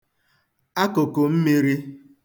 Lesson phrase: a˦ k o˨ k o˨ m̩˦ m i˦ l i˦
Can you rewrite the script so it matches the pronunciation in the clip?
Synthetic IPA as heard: a˦ k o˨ k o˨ m̩˦ m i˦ ɾ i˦